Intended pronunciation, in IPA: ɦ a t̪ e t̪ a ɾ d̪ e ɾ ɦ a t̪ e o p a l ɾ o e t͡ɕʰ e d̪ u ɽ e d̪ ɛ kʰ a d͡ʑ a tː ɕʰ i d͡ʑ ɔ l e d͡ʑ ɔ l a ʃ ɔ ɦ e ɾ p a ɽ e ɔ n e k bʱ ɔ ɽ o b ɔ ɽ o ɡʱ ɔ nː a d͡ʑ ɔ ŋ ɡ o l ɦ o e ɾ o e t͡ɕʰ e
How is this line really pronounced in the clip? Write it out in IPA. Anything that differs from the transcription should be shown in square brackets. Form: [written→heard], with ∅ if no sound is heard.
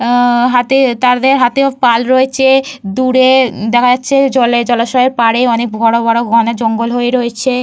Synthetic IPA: ɦ a t̪ e t̪ a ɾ d̪ e ɾ ɦ a t̪ e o p a l ɾ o e t͡ɕʰ e d̪ u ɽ e d̪ ɛ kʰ a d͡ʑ a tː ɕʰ [i→e] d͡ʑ ɔ l e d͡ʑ ɔ l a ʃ ɔ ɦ e ɾ p a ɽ e ɔ n e k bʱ ɔ ɽ o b ɔ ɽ o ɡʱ ɔ [nː→n] a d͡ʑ ɔ ŋ ɡ o l ɦ o e ɾ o e t͡ɕʰ e